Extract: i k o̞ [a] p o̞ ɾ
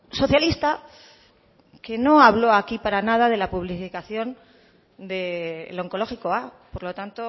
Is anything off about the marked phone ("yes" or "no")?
no